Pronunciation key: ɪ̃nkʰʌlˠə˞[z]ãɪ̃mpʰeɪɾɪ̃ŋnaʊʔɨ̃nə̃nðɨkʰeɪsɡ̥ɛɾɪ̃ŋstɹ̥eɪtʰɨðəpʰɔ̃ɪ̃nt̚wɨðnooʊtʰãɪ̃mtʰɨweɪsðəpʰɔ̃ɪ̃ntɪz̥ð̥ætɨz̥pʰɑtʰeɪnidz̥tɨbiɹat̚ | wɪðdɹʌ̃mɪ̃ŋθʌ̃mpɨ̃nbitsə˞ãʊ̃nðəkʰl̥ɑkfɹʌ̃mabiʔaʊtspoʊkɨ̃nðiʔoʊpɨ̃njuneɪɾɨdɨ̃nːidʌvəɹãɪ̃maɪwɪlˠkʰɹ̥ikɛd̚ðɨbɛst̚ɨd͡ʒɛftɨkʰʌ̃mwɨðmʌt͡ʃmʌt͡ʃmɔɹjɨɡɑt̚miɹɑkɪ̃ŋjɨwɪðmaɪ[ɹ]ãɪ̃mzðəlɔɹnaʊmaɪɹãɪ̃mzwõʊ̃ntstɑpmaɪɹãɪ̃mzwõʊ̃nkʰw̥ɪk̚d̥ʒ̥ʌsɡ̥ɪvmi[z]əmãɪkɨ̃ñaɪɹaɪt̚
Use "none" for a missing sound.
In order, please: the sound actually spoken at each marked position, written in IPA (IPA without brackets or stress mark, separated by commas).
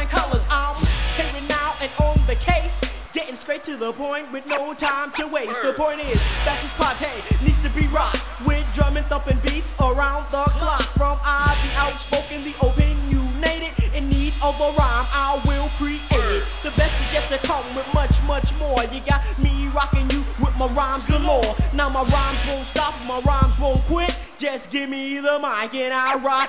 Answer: z, ɹ, ð